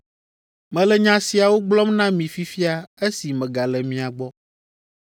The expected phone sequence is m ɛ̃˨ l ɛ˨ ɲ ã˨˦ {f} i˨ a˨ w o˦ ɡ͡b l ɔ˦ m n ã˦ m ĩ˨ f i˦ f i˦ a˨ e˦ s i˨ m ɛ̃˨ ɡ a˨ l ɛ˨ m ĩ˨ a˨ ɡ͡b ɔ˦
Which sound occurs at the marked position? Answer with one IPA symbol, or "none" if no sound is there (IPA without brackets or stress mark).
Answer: s